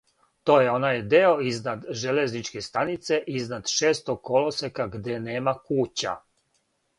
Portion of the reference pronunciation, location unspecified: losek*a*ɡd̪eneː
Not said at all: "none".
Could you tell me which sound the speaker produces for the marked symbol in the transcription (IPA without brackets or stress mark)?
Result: a